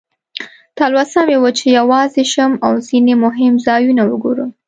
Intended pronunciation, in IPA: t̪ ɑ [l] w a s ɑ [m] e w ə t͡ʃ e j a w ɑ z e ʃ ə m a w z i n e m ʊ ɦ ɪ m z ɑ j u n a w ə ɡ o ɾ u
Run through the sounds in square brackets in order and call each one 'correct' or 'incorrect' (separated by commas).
correct, correct